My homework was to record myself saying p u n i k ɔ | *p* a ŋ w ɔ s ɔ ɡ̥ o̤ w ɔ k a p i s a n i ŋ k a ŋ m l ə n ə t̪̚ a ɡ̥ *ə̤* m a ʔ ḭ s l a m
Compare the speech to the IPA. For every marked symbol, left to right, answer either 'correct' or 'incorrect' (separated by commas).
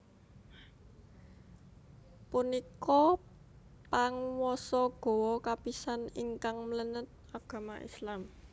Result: correct, incorrect